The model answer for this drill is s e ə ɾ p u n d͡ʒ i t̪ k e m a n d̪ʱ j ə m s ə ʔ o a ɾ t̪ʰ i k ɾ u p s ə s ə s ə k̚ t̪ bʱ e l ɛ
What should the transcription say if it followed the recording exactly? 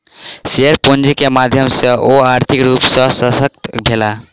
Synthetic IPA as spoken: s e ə ɾ p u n d͡ʒ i k e m a d̪ʱ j ə m s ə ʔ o a ɾ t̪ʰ i k ɾ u p s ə s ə s ə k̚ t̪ bʱ e l a